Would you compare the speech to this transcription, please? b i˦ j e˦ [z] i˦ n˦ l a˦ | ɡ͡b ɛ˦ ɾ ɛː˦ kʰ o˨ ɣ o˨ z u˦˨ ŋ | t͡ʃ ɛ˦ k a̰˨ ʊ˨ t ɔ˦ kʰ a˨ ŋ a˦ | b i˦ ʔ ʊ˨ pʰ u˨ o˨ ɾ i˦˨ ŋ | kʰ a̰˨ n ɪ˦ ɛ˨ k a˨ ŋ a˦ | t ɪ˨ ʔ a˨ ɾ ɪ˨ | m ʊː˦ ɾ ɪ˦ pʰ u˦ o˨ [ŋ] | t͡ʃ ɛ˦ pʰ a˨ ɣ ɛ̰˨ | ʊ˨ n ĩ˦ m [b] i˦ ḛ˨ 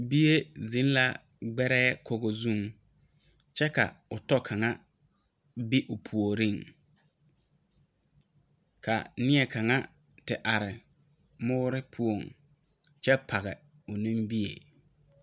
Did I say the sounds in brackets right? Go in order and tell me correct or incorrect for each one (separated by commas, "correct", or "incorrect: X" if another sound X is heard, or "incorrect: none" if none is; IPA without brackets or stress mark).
correct, correct, correct